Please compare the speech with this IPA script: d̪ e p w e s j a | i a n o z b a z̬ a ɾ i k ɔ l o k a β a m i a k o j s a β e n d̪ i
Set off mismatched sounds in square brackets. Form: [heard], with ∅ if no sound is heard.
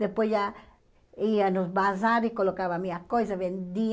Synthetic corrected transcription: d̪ e p w e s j a | i a n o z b a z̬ a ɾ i k [o] l o k a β a m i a k o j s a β e n d̪ i